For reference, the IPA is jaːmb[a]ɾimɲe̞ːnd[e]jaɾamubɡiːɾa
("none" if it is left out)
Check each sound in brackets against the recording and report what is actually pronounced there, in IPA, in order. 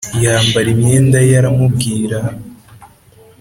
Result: a, a

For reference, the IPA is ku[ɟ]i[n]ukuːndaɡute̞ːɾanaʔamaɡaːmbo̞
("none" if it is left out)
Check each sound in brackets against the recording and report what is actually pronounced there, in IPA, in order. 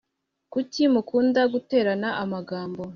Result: c, m

